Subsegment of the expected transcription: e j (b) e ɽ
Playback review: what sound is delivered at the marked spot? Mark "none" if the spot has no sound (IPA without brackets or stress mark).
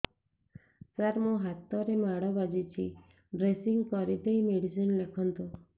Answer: m